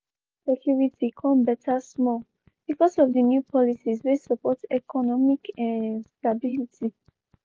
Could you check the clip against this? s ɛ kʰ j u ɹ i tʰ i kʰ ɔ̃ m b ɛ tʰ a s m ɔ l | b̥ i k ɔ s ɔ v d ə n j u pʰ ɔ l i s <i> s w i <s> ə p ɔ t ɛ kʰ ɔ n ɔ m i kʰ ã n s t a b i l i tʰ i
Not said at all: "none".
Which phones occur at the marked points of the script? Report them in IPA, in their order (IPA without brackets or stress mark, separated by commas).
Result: i, s